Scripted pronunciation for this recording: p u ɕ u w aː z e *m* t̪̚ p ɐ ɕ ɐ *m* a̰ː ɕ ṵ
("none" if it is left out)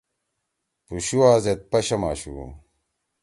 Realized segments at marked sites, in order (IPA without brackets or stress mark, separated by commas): none, m